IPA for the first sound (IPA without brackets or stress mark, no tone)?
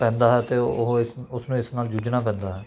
p